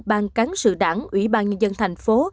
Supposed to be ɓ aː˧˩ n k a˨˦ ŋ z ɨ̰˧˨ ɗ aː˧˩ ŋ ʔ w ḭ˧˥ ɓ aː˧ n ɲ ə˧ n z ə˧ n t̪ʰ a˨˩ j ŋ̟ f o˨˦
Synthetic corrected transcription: ɓ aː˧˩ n k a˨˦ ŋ s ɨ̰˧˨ ɗ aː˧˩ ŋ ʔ w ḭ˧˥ ɓ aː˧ n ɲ ə˧ n z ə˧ n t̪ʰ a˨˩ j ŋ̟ f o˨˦